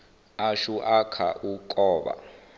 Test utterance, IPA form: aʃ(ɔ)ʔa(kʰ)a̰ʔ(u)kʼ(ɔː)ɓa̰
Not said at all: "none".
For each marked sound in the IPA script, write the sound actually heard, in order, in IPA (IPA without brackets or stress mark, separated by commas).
u, kʰ, u, ɔː